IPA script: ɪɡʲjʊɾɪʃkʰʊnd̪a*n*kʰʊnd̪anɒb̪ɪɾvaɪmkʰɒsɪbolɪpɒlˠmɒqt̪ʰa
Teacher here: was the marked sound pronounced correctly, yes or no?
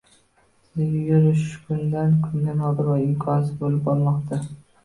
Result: yes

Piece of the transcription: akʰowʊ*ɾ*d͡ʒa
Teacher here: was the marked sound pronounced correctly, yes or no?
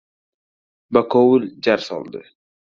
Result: no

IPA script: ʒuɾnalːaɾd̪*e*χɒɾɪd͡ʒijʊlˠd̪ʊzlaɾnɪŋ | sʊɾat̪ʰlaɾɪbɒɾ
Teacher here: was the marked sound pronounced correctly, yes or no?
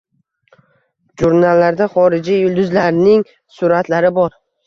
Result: no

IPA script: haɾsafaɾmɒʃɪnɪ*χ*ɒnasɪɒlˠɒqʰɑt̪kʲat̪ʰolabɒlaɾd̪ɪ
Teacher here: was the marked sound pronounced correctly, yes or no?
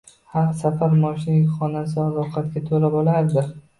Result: yes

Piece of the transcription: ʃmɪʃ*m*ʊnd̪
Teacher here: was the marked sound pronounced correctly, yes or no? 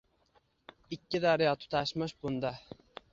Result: no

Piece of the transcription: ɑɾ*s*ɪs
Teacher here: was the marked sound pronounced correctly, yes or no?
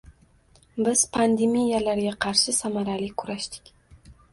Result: no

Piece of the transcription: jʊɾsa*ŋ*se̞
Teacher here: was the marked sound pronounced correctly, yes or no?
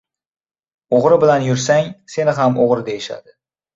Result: yes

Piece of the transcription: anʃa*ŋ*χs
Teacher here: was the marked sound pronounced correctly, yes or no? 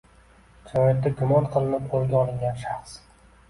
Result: no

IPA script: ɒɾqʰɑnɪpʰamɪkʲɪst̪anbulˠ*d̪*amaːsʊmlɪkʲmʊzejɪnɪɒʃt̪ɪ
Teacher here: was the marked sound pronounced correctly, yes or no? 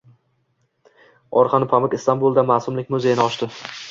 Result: yes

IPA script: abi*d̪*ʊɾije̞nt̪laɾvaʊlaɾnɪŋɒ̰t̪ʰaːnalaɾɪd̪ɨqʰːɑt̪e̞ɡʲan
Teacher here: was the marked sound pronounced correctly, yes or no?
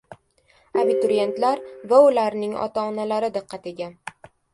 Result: no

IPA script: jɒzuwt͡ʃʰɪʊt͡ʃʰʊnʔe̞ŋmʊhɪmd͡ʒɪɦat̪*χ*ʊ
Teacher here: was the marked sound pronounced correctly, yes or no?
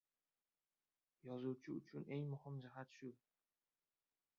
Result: no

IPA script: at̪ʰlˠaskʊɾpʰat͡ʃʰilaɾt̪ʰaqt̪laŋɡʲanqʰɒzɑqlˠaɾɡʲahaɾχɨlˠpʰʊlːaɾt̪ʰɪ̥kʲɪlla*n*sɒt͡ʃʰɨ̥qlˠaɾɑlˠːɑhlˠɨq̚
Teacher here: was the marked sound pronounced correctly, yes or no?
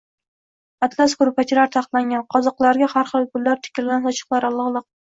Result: yes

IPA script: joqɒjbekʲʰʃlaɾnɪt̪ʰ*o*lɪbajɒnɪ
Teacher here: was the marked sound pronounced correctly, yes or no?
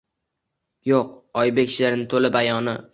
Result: yes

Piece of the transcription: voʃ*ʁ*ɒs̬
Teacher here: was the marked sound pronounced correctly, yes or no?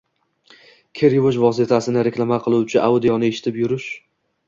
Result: no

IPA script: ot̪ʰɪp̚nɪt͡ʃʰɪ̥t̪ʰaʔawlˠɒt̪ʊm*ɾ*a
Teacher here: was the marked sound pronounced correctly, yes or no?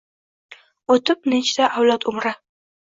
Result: yes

